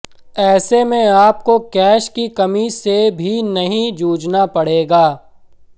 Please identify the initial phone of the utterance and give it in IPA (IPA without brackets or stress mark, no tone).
ɛː